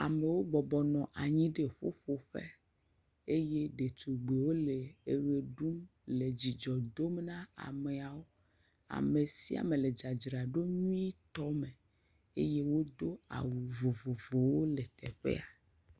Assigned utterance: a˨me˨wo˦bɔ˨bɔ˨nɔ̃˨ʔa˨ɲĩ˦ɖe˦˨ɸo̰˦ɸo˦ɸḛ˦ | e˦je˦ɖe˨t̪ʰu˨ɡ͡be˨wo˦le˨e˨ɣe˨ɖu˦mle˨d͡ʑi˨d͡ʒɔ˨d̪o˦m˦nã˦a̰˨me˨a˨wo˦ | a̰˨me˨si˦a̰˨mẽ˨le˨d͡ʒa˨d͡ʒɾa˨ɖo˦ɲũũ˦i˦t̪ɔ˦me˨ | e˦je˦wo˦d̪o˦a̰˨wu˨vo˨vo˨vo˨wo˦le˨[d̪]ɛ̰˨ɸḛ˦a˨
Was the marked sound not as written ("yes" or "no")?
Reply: yes